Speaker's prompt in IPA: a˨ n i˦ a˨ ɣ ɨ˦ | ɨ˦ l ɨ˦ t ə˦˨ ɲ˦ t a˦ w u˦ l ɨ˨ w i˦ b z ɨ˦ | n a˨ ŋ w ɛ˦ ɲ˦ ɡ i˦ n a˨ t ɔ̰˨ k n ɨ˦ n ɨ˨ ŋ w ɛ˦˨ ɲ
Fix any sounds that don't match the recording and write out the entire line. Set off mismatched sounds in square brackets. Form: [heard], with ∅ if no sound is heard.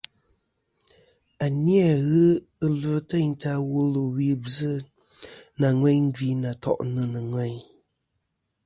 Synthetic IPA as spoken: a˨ n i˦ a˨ ɣ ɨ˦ | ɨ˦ l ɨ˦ t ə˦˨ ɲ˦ t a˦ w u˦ l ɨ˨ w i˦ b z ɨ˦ | n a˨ ŋ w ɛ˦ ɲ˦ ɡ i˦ n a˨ t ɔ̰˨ [ʔ] n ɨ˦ n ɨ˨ ŋ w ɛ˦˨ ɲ